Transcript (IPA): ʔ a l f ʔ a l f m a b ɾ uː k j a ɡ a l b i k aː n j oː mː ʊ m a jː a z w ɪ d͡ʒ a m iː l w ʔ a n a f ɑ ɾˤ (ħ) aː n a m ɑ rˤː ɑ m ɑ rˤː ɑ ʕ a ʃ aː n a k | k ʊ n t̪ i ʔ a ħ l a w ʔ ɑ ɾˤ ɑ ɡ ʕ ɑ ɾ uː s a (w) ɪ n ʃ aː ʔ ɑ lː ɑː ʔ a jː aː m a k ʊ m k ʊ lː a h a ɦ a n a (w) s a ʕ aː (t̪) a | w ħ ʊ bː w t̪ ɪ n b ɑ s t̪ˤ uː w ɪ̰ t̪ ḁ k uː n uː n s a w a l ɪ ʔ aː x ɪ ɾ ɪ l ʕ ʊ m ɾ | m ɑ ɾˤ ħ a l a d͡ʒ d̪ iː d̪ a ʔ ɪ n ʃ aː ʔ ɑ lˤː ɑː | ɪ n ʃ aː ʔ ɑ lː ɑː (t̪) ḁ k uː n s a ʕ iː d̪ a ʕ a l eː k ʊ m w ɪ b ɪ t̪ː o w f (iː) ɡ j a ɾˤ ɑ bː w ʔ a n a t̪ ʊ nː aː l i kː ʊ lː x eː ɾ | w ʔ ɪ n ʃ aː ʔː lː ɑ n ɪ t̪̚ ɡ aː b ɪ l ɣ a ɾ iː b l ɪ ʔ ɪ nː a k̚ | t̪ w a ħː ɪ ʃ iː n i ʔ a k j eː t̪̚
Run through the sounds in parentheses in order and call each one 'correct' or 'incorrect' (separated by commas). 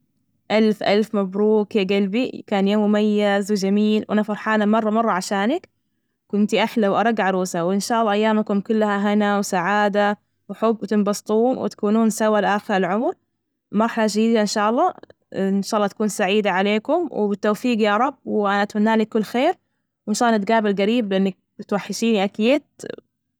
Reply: correct, correct, correct, incorrect, correct, correct